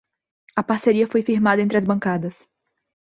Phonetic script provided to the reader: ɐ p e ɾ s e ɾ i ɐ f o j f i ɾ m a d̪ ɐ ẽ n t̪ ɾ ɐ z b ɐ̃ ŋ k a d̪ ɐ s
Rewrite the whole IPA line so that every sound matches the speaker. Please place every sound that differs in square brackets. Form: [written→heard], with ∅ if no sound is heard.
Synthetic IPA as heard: ɐ p [e→a] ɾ s e ɾ i ɐ f o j f i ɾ m a d̪ ɐ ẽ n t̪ ɾ ɐ z b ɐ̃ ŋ k a d̪ ɐ s